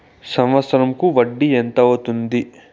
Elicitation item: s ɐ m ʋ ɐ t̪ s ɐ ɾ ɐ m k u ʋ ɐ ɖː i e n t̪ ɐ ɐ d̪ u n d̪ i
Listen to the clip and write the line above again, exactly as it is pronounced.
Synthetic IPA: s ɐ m ʋ ɐ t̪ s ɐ ɾ ɐ m k u ʋ ɐ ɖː i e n t̪ ɐ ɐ t̪ u n d̪ i